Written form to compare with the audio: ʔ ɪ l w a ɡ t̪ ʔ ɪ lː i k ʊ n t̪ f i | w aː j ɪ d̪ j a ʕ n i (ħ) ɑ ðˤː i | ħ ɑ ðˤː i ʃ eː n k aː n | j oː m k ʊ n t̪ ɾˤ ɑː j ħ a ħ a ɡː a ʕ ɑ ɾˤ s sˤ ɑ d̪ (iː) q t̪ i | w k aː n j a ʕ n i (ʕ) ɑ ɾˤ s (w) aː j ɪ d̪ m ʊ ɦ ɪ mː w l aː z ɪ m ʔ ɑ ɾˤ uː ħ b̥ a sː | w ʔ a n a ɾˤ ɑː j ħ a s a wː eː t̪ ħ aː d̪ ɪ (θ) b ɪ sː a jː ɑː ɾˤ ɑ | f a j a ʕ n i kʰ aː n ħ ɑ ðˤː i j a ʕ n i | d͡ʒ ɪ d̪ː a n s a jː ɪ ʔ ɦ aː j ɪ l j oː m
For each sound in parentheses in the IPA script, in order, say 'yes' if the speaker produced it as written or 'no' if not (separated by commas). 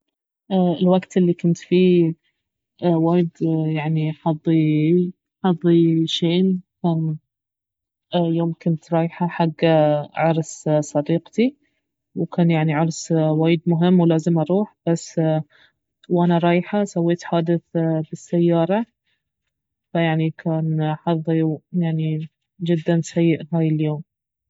yes, yes, yes, yes, yes